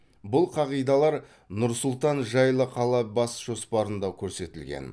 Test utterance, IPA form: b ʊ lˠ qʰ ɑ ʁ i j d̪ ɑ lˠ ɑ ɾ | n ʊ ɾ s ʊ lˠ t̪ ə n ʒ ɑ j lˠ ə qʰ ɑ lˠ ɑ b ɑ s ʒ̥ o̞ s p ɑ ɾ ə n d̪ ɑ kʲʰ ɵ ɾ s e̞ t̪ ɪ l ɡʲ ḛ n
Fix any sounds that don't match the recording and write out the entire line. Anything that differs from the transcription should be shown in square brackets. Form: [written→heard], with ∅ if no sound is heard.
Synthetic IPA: b ʊ lˠ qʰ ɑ ʁ i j d̪ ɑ lˠ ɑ ɾ | n ʊ ɾ s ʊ lˠ t̪ [ə→ɑ] n ʒ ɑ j lˠ ə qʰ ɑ lˠ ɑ b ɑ s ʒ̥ o̞ s p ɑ ɾ ə n d̪ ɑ kʲʰ ɵ ɾ s e̞ t̪ ɪ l ɡʲ ḛ n